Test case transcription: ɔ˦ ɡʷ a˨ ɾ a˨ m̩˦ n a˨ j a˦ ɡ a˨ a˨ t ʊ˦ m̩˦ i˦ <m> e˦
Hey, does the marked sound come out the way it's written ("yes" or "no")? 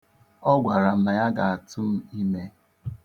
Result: yes